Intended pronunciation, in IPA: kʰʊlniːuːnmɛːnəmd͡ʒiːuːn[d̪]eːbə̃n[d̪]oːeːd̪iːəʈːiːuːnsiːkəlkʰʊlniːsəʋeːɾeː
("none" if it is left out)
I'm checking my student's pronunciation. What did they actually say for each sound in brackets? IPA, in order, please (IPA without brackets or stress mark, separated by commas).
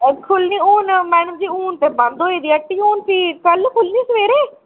t̪, d̪